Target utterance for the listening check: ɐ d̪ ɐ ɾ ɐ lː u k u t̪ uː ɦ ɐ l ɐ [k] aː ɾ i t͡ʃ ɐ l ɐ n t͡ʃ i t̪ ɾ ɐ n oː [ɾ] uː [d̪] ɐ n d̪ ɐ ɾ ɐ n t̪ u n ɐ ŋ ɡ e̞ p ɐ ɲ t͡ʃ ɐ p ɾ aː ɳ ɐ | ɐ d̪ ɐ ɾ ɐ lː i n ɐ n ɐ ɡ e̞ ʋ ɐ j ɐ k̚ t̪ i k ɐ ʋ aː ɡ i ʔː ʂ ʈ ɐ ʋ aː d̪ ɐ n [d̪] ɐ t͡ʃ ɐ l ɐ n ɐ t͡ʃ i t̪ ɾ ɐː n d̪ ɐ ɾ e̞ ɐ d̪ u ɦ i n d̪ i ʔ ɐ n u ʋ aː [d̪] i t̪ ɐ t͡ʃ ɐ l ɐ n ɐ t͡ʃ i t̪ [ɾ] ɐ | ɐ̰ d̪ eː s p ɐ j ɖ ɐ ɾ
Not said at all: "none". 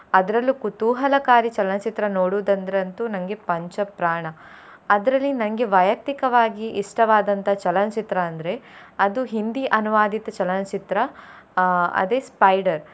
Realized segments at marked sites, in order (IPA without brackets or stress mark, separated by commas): k, ɽ, d̪, t̪, d̪, ɾ